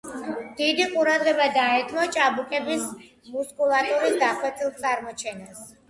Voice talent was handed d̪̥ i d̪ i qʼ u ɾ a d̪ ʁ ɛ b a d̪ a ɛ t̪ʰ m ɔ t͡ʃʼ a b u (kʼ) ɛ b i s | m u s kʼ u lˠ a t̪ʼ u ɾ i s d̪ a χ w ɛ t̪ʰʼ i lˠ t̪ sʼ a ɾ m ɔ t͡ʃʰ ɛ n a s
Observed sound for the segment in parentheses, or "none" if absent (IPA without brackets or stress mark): kʼ